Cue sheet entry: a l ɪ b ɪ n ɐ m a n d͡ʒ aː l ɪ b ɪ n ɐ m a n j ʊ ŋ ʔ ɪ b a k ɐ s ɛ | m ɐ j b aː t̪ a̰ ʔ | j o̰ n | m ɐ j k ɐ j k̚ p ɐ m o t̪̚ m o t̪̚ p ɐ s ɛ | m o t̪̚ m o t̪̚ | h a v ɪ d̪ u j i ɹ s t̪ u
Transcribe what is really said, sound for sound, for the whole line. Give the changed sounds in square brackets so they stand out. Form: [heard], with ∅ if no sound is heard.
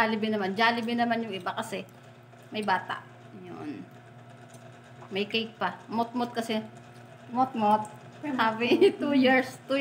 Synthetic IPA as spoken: a l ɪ b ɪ n ɐ m a n d͡ʒ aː l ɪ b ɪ n ɐ m a n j ʊ ŋ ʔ ɪ b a k ɐ s ɛ | m ɐ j b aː t̪ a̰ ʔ | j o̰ n | m ɐ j k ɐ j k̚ p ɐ m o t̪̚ m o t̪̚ [k] ɐ s ɛ | m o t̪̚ m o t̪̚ | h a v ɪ [t̪] u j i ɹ s t̪ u